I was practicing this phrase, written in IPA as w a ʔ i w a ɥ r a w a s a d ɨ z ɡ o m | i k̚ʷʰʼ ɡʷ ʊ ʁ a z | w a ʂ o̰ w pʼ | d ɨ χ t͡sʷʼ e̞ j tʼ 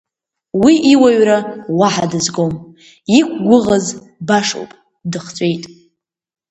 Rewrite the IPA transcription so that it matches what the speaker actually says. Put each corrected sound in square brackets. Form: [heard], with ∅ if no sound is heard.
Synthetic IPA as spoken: w [i] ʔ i w a ɥ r a w a [ħ] a d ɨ z ɡ o m | i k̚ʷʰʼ ɡʷ ʊ ʁ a z | [b] a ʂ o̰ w pʼ | d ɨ χ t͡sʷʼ e̞ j tʼ